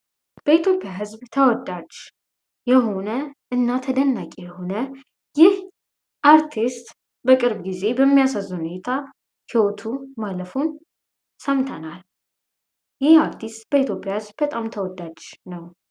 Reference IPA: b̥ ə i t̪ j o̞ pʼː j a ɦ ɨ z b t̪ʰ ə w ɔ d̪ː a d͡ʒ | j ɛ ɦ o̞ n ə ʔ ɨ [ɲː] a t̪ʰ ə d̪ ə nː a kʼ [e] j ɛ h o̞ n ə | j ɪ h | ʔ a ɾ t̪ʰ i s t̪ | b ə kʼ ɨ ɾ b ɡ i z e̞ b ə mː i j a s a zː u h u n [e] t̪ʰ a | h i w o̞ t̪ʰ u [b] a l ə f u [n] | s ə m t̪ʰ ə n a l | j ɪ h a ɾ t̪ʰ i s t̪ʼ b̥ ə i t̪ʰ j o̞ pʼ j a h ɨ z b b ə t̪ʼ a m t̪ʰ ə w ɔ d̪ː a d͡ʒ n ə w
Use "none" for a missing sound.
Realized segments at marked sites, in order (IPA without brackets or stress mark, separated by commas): nː, e, e, m, n